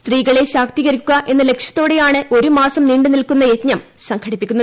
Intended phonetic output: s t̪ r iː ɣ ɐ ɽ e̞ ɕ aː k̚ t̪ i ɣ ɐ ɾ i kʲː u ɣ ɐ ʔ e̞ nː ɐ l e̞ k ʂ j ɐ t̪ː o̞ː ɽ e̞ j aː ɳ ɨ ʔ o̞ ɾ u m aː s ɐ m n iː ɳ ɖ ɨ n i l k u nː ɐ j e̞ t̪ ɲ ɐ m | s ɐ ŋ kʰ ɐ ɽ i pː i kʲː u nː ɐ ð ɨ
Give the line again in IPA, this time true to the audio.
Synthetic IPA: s t̪ r iː ɣ ɐ ɭ e̞ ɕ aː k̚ t̪ i ɣ ɐ ɾ i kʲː u ɣ ɐ ʔ e̞ nː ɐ l e̞ k ʂ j ɐ t̪ː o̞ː ɽ e̞ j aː ɳ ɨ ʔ o̞ ɾ u m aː s ɐ m n iː ɳ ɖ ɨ n i l k u nː ɐ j e̞ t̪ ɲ ɐ m | s ɐ ŋ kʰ ɐ ɽ i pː i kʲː u nː ɐ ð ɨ